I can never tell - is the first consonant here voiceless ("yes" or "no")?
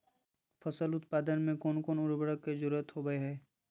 yes